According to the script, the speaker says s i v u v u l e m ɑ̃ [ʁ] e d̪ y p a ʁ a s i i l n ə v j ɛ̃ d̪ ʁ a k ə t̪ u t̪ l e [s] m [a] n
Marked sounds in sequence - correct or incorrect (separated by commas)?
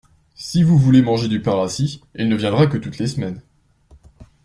incorrect, correct, incorrect